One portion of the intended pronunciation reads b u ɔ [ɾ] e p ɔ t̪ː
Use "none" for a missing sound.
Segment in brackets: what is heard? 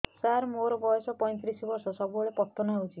ɭ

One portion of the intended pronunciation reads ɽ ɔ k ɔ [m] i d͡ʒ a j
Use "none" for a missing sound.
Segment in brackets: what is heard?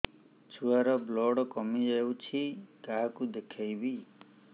m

